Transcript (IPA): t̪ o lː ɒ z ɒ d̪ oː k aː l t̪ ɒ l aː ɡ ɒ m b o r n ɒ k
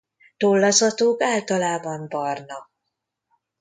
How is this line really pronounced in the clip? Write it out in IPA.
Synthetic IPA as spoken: t̪ o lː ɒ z ɒ t̪ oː k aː l t̪ ɒ l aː b ɒ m b ɒ r n ɒ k